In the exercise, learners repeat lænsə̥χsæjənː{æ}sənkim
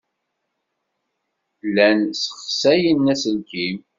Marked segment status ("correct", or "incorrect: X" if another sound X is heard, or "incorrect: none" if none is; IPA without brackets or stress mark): correct